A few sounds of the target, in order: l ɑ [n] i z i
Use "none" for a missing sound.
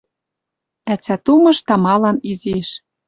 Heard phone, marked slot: n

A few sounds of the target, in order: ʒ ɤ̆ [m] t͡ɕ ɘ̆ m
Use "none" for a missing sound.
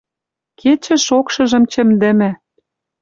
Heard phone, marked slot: m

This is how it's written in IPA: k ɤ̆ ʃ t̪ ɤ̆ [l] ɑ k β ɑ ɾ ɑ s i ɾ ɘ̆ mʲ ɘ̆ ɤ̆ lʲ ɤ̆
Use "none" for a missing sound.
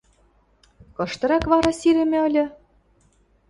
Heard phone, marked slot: ɾ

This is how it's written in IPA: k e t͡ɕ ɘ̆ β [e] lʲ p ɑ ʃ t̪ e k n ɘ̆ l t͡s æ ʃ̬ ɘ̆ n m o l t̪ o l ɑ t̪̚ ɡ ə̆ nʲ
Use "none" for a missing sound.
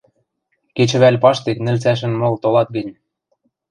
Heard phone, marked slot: æ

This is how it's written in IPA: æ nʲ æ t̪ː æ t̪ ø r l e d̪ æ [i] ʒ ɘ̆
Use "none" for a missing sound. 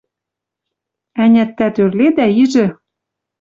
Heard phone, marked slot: i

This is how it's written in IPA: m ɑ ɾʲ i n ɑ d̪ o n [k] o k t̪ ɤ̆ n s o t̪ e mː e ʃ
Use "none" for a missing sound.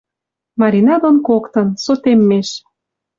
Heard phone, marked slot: k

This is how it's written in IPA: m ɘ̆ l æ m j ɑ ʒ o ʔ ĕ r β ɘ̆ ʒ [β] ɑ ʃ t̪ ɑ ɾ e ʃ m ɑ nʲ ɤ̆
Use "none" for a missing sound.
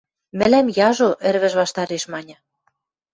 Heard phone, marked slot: β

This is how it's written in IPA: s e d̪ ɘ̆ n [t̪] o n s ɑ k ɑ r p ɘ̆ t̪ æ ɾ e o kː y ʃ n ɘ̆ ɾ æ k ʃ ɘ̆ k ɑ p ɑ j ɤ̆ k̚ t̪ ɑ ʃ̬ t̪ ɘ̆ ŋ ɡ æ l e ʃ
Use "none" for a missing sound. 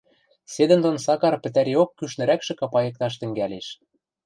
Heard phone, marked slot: d̪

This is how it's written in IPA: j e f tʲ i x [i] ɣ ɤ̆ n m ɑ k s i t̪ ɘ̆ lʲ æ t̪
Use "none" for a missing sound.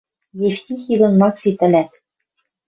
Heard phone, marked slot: i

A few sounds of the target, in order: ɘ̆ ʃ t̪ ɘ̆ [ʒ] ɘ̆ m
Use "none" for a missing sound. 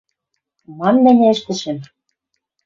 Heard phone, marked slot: ʃ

